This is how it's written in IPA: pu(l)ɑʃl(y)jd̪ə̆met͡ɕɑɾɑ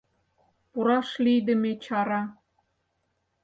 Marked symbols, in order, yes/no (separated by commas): no, no